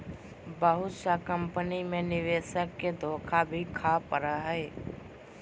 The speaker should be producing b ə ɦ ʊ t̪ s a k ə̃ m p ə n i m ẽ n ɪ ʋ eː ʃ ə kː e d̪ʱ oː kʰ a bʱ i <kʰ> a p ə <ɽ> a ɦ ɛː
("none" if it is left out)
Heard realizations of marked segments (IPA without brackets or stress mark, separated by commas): kʰ, ɾ